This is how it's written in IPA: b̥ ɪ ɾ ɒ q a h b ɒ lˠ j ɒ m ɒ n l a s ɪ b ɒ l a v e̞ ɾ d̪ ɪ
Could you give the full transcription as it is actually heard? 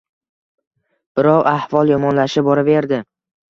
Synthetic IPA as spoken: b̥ ɪ ɾ ɒ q a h v ɒ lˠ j ɒ m ɒ n l a ʃ ɪ b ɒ ɾ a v e̞ ɾ d̪ ɪ